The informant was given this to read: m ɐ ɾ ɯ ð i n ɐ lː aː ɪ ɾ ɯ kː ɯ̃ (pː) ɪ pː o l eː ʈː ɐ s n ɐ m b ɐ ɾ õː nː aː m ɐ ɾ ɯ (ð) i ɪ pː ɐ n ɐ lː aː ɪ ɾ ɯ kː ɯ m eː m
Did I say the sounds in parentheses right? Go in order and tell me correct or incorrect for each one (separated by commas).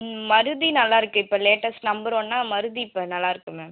incorrect, correct